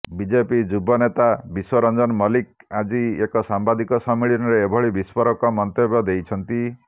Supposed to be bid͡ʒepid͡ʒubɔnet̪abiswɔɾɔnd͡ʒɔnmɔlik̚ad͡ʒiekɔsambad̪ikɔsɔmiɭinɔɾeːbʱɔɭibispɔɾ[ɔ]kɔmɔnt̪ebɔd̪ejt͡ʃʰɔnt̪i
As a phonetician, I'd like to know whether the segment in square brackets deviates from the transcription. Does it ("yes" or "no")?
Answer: no